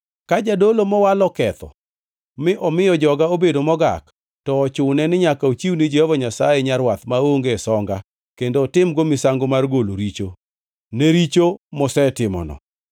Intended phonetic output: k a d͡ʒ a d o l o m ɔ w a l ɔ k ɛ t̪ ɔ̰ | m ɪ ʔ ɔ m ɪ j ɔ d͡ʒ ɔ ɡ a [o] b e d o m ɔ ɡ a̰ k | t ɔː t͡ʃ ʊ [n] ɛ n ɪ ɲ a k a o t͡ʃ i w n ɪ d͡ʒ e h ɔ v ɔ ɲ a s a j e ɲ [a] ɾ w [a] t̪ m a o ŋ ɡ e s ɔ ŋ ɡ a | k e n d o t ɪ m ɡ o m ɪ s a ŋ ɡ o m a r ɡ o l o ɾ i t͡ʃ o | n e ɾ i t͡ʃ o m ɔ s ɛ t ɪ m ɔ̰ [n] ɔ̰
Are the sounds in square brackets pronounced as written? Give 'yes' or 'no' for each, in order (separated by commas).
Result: yes, yes, yes, yes, yes